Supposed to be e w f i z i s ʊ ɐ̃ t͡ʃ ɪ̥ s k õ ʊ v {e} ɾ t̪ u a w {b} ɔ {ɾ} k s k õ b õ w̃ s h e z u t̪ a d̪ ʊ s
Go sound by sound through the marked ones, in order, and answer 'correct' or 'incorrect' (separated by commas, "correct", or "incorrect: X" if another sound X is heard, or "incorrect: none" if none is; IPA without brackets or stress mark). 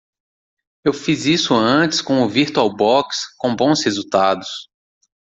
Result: incorrect: i, correct, incorrect: none